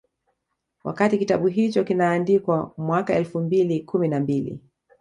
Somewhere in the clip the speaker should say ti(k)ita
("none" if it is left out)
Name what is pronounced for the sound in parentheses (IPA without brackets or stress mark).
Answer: k